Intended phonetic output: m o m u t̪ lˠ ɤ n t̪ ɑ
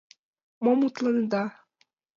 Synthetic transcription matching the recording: m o m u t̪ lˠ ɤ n d̪ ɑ